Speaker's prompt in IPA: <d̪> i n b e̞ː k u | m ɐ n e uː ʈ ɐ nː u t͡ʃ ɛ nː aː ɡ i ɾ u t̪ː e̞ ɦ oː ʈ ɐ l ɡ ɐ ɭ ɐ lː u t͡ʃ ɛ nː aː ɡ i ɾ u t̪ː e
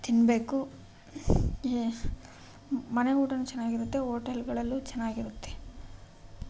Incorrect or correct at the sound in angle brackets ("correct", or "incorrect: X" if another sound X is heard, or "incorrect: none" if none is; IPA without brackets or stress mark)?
incorrect: t̪